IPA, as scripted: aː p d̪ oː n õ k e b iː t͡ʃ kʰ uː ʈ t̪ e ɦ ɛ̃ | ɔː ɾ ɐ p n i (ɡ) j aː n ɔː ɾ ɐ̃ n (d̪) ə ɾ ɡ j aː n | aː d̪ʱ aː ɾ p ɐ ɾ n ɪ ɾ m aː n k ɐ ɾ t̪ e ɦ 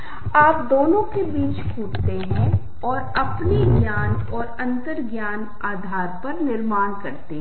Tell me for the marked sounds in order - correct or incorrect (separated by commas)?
correct, incorrect